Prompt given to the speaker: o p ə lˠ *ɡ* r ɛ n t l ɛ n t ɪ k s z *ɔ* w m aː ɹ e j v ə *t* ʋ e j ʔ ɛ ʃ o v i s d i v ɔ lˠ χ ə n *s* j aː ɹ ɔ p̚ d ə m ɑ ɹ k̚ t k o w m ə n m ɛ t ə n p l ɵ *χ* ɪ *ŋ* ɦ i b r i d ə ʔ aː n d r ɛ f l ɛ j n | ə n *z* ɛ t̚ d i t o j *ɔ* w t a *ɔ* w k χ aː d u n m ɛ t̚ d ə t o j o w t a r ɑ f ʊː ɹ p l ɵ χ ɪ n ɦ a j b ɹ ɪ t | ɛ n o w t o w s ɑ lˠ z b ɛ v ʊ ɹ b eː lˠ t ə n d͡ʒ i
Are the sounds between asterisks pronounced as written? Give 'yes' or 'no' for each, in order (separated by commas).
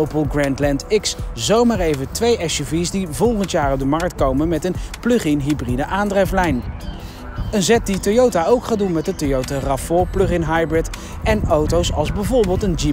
yes, no, yes, no, yes, no, yes, no, no